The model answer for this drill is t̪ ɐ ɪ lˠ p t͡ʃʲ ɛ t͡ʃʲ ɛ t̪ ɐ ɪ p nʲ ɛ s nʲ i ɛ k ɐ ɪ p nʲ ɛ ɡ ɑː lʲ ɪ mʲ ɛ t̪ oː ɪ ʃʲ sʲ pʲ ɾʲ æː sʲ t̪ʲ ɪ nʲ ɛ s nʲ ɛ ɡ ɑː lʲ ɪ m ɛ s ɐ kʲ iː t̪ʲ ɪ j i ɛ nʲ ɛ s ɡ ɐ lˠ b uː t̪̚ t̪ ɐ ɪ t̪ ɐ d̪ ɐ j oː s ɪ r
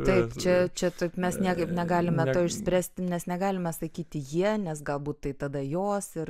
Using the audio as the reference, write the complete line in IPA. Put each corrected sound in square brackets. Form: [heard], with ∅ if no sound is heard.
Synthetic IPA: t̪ ɐ ɪ [∅] p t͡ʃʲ ɛ t͡ʃʲ ɛ t̪ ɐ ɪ p [mʲ] ɛ s nʲ i ɛ k ɐ ɪ p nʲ ɛ ɡ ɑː lʲ ɪ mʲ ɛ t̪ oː ɪ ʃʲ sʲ pʲ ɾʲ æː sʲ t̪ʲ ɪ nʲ ɛ s nʲ ɛ ɡ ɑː lʲ ɪ m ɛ s ɐ kʲ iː t̪ʲ ɪ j i ɛ nʲ ɛ s ɡ ɐ lˠ b uː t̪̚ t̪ ɐ ɪ t̪ ɐ d̪ ɐ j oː s ɪ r